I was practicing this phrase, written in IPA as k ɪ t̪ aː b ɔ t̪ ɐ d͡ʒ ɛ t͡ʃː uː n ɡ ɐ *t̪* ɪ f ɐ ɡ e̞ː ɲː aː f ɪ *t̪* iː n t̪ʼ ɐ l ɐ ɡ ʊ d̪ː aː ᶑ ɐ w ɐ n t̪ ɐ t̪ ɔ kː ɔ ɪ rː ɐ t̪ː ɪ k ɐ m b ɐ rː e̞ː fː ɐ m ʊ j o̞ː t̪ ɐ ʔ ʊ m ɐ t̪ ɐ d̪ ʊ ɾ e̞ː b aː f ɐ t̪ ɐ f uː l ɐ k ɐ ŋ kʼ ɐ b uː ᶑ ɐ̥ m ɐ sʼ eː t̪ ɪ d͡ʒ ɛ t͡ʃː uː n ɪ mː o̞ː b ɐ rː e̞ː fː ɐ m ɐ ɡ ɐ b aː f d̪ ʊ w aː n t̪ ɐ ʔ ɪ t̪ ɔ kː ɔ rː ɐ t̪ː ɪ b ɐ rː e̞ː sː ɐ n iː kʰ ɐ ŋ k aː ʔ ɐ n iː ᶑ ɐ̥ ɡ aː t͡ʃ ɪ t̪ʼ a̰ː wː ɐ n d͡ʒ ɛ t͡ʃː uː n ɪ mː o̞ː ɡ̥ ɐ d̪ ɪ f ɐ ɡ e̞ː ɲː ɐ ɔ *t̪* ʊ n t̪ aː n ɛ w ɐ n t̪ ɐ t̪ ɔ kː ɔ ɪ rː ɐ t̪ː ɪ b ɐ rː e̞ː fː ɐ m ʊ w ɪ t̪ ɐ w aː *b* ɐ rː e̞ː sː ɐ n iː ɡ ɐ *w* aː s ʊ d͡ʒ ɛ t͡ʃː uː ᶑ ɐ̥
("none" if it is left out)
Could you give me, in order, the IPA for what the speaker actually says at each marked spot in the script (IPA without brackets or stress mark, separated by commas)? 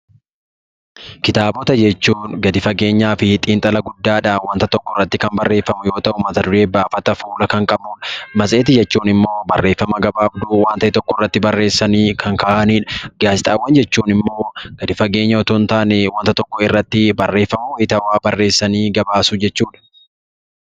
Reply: d̪, t̪ʼ, t̪, b, b